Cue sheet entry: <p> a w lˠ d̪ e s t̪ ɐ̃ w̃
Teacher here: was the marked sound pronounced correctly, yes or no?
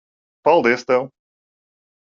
yes